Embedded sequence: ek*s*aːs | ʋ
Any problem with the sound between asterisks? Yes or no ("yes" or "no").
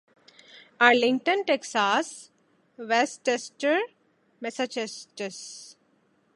no